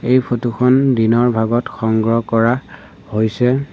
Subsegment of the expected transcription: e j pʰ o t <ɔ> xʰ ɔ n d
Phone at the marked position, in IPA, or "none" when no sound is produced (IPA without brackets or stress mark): u